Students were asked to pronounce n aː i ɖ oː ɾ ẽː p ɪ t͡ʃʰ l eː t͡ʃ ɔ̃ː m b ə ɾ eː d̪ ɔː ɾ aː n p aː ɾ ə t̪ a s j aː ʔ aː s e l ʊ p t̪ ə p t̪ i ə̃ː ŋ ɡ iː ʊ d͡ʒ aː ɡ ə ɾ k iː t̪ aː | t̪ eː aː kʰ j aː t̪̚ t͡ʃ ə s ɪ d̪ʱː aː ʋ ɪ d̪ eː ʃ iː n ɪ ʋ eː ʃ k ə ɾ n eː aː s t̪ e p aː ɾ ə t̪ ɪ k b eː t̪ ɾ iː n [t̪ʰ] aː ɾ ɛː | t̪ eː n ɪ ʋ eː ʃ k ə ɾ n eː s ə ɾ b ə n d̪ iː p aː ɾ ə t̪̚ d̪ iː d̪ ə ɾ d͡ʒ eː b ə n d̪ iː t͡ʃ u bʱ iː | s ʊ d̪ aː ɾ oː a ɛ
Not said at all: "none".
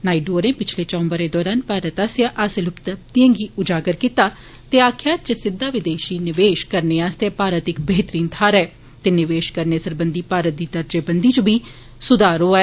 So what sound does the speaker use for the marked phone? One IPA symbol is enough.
t̪ʰ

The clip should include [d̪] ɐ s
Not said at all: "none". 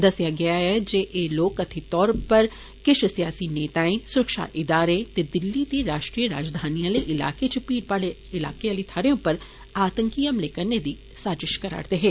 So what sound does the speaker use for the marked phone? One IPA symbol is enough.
d̪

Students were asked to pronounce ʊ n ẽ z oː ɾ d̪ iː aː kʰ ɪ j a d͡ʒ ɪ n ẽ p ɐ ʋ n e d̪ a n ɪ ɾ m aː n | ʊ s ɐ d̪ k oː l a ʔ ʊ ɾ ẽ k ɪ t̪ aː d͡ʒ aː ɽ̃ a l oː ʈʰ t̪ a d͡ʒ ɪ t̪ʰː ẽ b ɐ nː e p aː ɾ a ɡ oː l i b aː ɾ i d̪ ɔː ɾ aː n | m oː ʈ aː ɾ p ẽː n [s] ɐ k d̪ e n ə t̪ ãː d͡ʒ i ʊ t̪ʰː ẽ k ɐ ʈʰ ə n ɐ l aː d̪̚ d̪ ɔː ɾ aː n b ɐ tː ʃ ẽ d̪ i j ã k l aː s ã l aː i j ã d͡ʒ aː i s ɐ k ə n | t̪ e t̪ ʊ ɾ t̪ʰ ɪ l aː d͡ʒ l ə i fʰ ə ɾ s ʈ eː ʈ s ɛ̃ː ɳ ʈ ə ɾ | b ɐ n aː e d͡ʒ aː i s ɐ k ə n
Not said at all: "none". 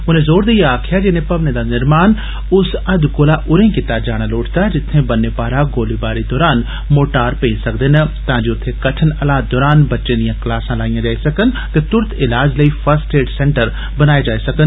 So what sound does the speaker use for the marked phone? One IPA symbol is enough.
s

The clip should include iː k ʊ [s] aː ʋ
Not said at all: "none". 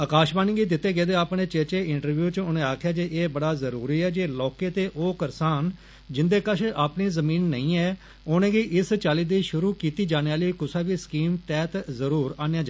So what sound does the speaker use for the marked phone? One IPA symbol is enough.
s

